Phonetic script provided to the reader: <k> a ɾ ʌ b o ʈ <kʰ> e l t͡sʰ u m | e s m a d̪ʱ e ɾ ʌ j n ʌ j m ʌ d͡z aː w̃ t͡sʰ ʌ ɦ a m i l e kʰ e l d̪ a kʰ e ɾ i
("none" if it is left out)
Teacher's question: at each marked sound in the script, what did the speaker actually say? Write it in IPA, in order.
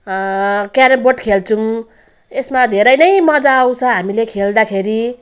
k, kʰ

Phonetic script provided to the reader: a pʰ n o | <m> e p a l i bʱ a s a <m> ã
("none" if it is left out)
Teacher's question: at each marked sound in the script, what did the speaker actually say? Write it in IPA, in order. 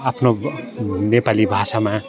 n, m

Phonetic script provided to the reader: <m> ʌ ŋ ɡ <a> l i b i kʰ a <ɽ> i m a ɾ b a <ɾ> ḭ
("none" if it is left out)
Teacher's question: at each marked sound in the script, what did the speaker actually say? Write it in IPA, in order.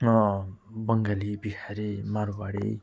b, a, ɾ, ɽ

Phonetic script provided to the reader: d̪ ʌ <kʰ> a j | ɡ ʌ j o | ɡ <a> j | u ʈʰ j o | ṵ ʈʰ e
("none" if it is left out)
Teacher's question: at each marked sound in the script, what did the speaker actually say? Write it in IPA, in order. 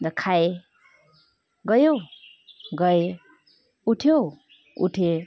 kʰ, ʌ

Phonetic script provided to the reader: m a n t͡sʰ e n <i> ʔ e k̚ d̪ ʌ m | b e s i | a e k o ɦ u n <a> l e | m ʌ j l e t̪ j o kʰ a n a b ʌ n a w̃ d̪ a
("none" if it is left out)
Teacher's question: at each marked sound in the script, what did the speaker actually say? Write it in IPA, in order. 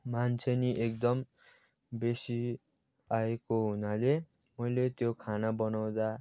i, a

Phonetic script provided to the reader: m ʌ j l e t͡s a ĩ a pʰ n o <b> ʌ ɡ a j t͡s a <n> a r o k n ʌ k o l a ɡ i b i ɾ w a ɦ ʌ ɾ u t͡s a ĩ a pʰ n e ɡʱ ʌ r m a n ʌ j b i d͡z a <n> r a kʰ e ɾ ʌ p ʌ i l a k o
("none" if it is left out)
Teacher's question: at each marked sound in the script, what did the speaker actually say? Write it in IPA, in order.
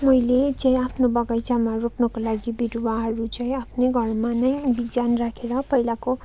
b, m, n

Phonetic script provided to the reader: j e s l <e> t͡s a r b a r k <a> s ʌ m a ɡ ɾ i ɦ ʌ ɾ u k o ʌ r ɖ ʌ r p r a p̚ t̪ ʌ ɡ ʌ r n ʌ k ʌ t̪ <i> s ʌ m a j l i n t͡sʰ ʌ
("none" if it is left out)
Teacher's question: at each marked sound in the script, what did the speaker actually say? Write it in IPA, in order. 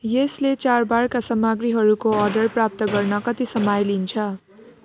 e, a, i

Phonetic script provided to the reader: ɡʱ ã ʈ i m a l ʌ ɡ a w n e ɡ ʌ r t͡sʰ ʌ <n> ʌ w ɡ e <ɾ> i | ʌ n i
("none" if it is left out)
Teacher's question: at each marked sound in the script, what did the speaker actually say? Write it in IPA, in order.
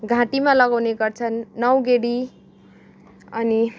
nː, ɽ

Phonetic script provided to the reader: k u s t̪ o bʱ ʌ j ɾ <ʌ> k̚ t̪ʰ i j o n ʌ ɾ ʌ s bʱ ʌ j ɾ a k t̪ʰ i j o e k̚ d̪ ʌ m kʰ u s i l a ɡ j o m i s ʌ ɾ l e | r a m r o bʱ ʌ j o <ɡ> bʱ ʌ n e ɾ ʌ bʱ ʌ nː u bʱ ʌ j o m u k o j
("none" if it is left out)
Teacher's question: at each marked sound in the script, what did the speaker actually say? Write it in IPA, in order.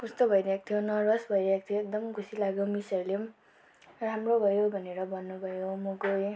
a, none

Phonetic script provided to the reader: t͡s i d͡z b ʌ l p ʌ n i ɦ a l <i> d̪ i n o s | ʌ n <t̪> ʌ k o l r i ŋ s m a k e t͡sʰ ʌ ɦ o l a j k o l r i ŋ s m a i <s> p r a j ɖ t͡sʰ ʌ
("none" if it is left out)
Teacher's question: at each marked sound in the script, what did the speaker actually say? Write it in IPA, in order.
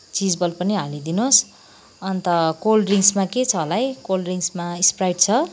i, t̪, s

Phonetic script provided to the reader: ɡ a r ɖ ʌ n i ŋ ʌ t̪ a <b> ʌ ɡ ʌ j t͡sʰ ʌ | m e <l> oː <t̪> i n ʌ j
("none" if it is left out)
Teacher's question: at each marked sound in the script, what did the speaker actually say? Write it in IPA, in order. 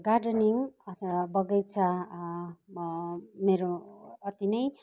b, ɾ, t̪

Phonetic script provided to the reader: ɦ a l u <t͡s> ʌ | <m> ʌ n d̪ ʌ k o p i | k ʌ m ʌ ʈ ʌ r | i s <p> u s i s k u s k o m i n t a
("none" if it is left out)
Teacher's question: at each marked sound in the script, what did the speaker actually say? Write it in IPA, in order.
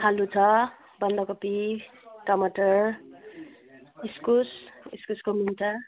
t͡sʰ, b, k

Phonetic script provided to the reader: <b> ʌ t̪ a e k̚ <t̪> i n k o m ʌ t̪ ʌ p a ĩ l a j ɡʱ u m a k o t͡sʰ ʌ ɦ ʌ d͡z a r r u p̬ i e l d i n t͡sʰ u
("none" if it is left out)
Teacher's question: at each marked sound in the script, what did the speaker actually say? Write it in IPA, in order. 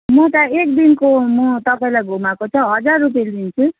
m, d̪

